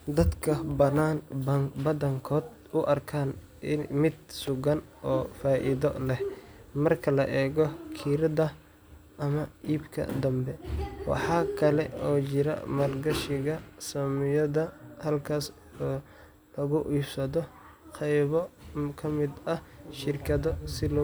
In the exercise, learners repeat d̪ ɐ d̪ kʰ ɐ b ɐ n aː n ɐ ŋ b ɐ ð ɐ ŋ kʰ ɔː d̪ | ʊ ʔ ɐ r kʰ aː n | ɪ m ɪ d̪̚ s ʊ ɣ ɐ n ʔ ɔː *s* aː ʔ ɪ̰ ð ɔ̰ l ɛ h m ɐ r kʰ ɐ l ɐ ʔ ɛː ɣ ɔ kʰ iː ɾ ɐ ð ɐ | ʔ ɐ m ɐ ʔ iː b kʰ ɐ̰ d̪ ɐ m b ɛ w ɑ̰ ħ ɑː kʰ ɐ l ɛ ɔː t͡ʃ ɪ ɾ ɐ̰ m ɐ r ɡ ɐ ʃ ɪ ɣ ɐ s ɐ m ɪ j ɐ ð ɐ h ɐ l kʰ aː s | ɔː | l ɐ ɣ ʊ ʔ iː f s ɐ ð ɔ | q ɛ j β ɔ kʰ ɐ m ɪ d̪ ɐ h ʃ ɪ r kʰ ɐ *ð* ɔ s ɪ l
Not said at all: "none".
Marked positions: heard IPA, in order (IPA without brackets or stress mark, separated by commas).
f, ð